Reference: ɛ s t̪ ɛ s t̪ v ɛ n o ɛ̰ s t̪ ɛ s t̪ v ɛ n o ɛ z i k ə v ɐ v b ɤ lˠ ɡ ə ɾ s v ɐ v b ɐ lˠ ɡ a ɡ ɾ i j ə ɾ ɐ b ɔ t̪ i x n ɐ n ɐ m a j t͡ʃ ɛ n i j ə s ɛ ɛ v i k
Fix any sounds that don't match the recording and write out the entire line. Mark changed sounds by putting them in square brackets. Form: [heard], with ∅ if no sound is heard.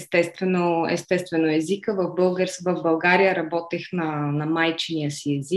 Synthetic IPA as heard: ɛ s t̪ ɛ s t̪ v ɛ n o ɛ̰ s t̪ ɛ s t̪ v ɛ n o ɛ z i k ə v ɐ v b ɤ lˠ ɡ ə ɾ s v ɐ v b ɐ lˠ ɡ a [∅] ɾ i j ə ɾ ɐ b ɔ t̪ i x n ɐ n ɐ m a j t͡ʃ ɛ n i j ə s [i] ɛ [z] i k